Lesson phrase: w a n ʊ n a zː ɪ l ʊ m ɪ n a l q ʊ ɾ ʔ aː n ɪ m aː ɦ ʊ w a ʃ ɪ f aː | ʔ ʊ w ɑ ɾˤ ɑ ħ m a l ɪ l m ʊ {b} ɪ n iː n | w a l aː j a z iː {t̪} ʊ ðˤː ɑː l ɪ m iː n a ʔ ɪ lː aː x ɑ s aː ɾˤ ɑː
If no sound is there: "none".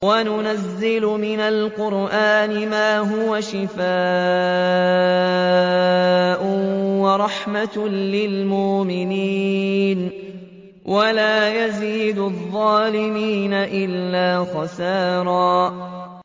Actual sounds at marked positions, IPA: m, d̪

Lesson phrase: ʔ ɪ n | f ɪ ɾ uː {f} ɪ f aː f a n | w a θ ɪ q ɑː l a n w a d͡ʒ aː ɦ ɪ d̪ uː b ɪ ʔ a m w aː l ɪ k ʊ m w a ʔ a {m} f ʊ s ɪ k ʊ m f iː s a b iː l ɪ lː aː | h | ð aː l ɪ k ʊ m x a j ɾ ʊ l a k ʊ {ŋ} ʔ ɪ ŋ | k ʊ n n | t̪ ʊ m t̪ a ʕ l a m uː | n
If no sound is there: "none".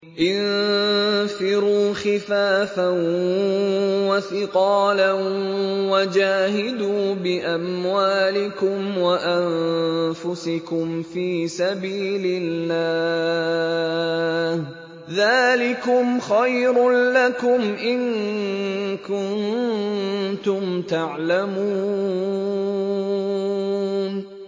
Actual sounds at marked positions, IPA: x, n, m

